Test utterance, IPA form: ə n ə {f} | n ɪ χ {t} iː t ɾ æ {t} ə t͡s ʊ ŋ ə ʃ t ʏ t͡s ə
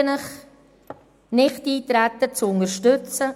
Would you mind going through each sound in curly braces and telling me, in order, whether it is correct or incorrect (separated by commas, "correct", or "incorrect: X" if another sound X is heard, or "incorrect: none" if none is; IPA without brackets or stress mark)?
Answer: incorrect: χ, correct, correct